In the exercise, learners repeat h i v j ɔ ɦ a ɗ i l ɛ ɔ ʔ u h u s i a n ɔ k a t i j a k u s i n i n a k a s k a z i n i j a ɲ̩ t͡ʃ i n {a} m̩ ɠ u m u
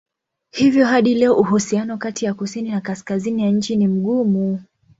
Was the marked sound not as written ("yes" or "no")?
yes